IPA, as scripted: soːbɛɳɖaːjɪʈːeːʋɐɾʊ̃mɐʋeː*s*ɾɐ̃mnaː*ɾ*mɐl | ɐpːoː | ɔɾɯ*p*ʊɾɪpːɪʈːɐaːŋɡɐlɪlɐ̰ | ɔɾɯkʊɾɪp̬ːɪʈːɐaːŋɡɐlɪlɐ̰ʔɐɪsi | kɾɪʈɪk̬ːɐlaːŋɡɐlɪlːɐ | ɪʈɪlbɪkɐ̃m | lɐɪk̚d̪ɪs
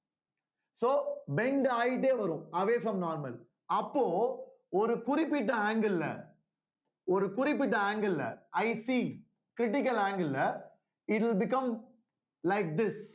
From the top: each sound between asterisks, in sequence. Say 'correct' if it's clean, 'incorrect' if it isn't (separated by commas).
incorrect, correct, incorrect